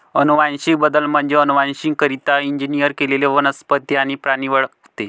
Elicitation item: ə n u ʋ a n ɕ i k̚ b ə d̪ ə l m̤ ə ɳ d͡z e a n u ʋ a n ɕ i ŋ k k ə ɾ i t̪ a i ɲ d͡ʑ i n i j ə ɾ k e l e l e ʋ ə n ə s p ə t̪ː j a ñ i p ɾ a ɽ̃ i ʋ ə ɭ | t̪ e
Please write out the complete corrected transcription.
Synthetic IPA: ə n u ʋ a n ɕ i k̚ b ə d̪ ə l m̤ ə ɳ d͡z e ə n u ʋ a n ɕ i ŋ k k ə ɾ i t̪ a i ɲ d͡ʑ i n i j ə ɾ k e l e l e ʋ ə n ə s p ə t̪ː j a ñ i p ɾ a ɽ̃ i ʋ ə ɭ | t̪ e